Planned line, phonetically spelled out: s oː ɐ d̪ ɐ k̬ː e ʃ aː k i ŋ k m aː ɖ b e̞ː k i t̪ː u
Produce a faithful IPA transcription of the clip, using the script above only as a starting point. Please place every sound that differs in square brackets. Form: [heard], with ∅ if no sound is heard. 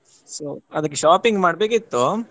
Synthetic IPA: s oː ɐ d̪ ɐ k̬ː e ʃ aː [p] i ŋ [ɡ] m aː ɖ b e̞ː k i t̪ː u